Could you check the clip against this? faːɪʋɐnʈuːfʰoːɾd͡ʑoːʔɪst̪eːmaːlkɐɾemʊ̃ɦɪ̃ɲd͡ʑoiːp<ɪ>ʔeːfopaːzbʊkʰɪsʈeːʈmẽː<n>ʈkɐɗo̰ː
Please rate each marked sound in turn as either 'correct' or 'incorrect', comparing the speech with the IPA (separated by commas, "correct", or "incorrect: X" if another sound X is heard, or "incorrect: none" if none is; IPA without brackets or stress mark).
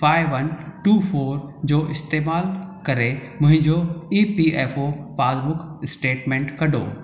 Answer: incorrect: i, incorrect: ɳ